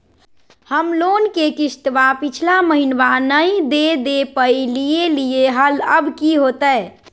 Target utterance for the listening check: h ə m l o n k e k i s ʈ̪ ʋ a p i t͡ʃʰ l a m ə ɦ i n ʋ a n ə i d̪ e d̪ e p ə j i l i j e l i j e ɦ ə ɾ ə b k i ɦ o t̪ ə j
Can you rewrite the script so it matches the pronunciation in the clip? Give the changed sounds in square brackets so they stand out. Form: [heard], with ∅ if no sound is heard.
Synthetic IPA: h ə m l o n k e k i s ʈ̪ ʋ a p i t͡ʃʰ l a m ə ɦ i n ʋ a n ə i d̪ e d̪ e p ə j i l i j e l i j e ɦ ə [l] ə b k i ɦ o t̪ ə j